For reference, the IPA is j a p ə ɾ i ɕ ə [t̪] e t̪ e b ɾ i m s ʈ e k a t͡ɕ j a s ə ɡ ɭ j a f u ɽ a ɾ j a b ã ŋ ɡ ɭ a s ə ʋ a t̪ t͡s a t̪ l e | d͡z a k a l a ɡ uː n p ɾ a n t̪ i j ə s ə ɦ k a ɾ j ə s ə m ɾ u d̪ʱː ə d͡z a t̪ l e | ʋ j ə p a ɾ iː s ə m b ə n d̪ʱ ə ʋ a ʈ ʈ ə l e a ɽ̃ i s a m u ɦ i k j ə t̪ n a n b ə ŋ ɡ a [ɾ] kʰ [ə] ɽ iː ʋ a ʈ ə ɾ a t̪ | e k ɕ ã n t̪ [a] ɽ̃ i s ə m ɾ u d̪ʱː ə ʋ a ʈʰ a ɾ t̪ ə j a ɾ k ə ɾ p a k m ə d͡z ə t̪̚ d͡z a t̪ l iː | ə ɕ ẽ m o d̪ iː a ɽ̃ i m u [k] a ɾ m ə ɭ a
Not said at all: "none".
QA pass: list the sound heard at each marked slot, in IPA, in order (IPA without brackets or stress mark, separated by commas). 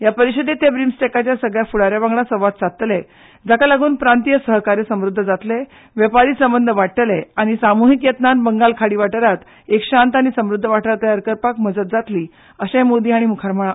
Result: d̪, l, a, a, kʰ